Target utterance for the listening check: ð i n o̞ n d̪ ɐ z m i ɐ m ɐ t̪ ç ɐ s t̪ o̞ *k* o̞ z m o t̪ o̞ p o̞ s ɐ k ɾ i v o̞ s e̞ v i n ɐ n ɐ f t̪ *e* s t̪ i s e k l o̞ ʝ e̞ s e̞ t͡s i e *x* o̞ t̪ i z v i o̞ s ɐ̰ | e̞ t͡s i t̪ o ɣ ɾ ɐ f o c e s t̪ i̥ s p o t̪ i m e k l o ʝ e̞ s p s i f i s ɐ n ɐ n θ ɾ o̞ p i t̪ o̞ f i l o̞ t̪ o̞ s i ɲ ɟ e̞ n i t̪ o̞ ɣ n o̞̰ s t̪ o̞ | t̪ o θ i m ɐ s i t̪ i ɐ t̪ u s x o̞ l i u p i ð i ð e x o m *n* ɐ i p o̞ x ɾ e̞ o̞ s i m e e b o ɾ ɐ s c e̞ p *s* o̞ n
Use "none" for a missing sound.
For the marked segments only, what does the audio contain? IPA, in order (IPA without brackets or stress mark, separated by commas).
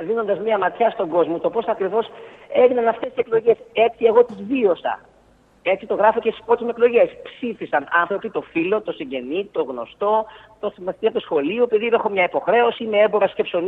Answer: ɡ, e, ɣ, ɲ, s